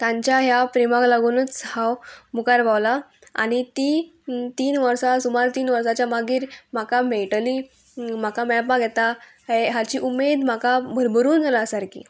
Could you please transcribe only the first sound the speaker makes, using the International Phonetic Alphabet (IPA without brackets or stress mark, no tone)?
t̪